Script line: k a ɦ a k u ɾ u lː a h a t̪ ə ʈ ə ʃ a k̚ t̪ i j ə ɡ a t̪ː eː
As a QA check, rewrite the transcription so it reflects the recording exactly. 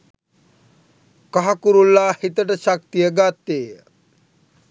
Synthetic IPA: k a ɦ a k u ɾ u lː a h i t̪ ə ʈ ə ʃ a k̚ t̪ i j ə ɡ a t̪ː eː